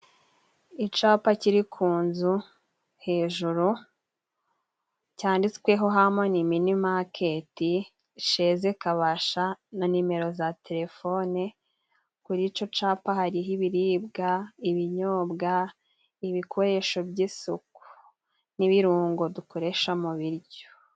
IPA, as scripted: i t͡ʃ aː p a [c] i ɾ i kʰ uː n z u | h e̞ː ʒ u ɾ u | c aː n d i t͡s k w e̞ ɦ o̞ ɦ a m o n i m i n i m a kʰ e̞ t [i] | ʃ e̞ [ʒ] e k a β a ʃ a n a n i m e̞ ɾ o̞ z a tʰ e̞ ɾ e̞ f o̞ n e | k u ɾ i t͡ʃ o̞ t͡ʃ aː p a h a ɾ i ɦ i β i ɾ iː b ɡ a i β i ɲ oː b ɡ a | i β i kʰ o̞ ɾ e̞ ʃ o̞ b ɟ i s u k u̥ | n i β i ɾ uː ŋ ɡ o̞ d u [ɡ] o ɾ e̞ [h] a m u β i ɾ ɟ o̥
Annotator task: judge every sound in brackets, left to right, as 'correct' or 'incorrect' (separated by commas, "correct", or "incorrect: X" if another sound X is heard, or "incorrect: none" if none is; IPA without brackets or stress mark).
correct, correct, incorrect: z, incorrect: k, incorrect: ʃ